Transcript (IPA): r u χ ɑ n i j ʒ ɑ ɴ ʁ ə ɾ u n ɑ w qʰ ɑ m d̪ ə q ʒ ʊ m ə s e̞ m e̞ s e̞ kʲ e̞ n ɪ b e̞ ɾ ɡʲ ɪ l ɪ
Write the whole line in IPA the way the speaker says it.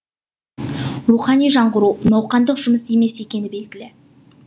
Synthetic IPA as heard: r u χ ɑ n i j ʒ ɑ ɴ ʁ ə ɾ u n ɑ w q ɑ n d̪ ə q ʒ ʊ m ə s e̞ m e̞ s e̞ kʲ e̞ n ɪ b e̞ l ɡʲ ɪ l ɪ